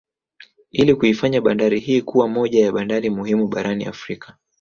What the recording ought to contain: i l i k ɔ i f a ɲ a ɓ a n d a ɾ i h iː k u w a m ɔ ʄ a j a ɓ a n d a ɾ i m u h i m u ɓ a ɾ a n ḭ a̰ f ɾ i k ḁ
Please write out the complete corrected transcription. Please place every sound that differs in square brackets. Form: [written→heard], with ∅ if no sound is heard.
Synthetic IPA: i l i k [ɔ→u] i f a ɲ a ɓ a n d a ɾ i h iː k u w a m ɔ ʄ a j a ɓ a n d a ɾ i m u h i m u ɓ a ɾ a n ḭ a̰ f ɾ i k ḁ